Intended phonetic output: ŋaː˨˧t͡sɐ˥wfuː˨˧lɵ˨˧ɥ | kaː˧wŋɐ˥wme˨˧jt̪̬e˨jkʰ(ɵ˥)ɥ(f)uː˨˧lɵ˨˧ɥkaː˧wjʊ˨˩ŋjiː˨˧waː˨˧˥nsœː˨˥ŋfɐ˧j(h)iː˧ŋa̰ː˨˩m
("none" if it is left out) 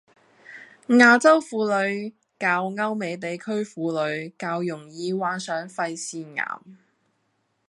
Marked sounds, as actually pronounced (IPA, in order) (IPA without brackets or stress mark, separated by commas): ɵ˥, f, s